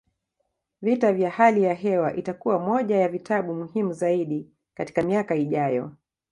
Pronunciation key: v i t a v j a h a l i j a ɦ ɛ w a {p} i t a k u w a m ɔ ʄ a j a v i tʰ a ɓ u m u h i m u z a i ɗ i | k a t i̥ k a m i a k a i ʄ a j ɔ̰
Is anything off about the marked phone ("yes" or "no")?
yes